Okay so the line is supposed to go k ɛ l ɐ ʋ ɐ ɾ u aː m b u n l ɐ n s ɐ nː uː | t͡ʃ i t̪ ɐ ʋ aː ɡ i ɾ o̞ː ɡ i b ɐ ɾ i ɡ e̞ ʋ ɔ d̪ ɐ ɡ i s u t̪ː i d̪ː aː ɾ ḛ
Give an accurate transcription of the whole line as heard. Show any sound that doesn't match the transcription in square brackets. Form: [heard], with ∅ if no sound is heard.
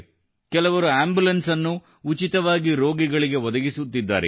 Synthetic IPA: k ɛ l ɐ ʋ ɐ ɾ u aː m b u [∅] l ɐ n s ɐ nː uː | t͡ʃ i t̪ ɐ ʋ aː ɡ i ɾ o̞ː ɡ i [ɡ] ɐ [ɭ] i ɡ e̞ ʋ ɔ d̪ ɐ ɡ i s u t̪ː i d̪ː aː ɾ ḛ